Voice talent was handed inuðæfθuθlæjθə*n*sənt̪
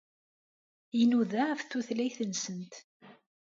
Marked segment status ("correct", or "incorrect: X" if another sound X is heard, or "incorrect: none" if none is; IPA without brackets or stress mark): correct